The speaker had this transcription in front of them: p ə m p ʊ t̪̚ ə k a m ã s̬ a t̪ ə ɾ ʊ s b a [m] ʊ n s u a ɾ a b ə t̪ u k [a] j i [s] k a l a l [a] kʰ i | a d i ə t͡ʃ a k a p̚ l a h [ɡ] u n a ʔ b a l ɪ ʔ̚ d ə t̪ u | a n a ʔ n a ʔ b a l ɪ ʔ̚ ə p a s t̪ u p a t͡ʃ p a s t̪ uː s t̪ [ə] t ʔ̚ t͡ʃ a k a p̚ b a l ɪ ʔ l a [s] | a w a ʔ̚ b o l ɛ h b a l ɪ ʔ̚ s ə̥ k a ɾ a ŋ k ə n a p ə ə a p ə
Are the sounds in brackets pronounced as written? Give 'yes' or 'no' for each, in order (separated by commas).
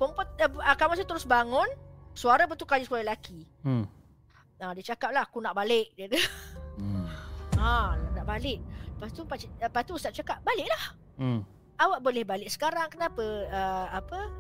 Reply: no, yes, yes, yes, no, no, no